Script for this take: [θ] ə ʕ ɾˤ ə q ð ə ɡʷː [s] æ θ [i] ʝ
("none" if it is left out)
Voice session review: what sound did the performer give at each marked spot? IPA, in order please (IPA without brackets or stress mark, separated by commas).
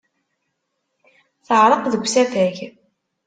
θ, s, æ